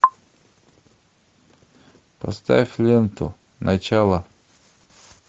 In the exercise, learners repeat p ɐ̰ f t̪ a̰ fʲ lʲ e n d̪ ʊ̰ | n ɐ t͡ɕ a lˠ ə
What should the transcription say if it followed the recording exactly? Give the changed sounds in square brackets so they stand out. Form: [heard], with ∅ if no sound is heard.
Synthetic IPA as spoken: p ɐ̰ [s] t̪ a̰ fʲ lʲ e n [t̪] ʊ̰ | n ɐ t͡ɕ a lˠ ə